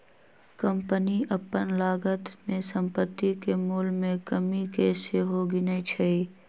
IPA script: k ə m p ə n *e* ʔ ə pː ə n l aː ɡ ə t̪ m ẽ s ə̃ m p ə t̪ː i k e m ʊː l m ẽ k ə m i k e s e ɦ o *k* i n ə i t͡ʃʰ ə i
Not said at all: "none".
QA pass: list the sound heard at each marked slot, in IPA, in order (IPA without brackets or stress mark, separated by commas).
i, ɡ